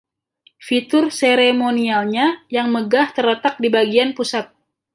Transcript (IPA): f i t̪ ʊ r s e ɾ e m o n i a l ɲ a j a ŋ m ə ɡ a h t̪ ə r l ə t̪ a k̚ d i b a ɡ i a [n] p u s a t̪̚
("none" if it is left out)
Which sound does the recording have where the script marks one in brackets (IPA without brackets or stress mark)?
n